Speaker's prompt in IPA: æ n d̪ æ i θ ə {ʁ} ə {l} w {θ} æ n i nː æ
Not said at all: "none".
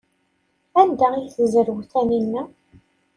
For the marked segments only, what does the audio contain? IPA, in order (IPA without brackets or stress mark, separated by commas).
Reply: z, ɾ, θ